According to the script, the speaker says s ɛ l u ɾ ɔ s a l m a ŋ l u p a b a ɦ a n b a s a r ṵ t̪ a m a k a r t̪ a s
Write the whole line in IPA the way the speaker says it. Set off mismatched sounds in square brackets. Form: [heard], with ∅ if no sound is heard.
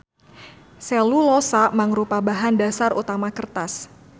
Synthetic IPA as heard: s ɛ l u [l] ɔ s a [∅] m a ŋ [ɾ] u p a b a ɦ a n [d] a s a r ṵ t̪ a m a k [ə] r t̪ a s